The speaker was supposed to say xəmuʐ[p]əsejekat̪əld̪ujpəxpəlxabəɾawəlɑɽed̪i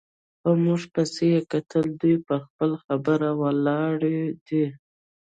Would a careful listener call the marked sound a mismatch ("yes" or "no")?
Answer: no